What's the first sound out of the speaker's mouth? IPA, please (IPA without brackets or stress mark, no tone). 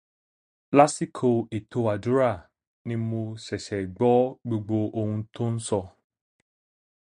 l